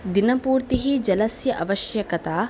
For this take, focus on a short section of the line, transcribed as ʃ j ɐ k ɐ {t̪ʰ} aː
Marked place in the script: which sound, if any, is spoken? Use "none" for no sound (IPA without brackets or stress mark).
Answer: t̪